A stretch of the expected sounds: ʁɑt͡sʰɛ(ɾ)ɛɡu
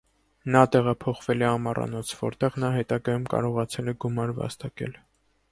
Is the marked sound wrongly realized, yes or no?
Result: yes